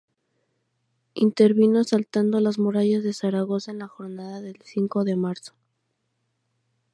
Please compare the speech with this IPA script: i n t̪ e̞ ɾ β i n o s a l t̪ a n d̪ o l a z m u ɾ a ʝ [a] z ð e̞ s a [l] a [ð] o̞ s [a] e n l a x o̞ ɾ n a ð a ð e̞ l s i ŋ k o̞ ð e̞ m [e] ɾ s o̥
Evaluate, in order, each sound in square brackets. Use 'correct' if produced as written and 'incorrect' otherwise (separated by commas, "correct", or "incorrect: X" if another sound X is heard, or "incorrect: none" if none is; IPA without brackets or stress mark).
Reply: correct, incorrect: ɾ, incorrect: ɣ, correct, incorrect: a